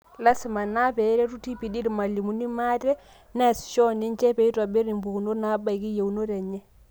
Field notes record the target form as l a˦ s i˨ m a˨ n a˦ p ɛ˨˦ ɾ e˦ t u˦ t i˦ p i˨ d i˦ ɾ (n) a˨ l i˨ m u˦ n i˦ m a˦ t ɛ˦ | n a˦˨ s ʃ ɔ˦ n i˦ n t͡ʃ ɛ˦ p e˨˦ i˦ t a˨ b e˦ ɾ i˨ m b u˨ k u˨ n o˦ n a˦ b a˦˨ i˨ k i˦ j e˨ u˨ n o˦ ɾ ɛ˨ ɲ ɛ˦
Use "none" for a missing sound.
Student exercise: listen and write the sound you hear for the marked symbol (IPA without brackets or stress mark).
m